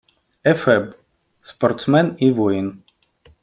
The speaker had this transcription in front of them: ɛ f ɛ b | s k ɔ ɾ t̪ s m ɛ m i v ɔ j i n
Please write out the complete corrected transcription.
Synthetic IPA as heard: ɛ f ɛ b | s p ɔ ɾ t̪ s m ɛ n i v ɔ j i n